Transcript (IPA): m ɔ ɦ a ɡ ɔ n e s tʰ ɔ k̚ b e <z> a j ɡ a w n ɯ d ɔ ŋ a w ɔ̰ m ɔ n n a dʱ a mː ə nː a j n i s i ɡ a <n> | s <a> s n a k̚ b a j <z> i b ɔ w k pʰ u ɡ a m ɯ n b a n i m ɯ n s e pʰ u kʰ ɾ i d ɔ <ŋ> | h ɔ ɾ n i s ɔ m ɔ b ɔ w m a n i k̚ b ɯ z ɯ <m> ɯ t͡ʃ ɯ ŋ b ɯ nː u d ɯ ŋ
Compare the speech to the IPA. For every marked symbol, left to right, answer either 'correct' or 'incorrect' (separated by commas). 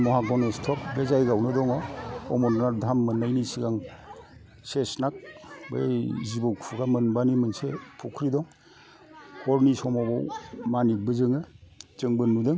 correct, incorrect, incorrect, correct, correct, incorrect